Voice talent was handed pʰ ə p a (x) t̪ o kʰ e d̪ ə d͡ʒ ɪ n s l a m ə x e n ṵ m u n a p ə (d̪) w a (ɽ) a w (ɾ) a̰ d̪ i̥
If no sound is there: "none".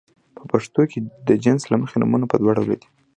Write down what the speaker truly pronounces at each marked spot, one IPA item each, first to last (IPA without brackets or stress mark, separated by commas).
ʂ, d̪, ɽ, l